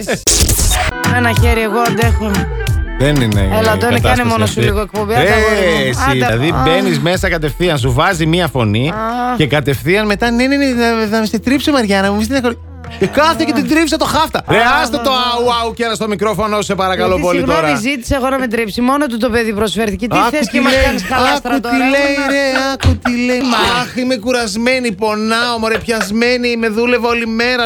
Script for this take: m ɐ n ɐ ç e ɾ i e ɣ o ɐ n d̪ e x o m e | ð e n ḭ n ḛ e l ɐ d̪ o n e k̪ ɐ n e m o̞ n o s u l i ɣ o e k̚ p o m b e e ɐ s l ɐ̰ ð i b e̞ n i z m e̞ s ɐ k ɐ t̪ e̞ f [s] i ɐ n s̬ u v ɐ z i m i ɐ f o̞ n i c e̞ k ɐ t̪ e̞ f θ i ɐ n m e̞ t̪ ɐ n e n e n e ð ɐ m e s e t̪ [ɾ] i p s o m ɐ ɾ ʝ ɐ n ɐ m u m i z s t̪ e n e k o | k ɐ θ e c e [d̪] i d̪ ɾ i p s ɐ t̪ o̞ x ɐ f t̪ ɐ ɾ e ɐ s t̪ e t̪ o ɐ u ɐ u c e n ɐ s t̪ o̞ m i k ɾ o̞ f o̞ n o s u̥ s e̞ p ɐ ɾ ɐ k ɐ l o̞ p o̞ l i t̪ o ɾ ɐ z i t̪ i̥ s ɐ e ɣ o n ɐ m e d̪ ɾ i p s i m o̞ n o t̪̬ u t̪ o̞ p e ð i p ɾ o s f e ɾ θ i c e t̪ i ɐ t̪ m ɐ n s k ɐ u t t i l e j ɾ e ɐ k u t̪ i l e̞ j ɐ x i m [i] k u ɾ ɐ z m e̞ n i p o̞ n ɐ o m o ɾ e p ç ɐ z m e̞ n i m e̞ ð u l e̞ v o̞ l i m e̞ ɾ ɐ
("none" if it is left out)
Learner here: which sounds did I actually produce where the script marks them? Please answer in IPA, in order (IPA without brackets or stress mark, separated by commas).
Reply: θ, ɾ, t̪, e